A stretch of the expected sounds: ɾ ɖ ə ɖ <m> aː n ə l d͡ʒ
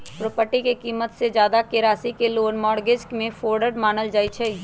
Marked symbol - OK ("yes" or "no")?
yes